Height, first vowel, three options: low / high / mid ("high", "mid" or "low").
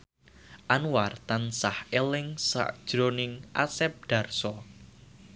low